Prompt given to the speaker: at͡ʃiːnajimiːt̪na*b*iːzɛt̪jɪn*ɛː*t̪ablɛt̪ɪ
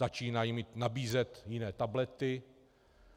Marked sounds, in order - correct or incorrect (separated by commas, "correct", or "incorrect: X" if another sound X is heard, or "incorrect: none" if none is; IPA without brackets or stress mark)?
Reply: correct, correct